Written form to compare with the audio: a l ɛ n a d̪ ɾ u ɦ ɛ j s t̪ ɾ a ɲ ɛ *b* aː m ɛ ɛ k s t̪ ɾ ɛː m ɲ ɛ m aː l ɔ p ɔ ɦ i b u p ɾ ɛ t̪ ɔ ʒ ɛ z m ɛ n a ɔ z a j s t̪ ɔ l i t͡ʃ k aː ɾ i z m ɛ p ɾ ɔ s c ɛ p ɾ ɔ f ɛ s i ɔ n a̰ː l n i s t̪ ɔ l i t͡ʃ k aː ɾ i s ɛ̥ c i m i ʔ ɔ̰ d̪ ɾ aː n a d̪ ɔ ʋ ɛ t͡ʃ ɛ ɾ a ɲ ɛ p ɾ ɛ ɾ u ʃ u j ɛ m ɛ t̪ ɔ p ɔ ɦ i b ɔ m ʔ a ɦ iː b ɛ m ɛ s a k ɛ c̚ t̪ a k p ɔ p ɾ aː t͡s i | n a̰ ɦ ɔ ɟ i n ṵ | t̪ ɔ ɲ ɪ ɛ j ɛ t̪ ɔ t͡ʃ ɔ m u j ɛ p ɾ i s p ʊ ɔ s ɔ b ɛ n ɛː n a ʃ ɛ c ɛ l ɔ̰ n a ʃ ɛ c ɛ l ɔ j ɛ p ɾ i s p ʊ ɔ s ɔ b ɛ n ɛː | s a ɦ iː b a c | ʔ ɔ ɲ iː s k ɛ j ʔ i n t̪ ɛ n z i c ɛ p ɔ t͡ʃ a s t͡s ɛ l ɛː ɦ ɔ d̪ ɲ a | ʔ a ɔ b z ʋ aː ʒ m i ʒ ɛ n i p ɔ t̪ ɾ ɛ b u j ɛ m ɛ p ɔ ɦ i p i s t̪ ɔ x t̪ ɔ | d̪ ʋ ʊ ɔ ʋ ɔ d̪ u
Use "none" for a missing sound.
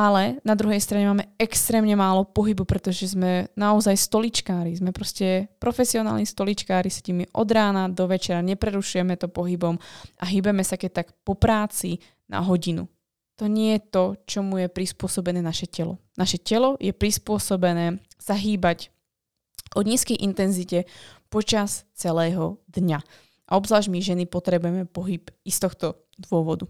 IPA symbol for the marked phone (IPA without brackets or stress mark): m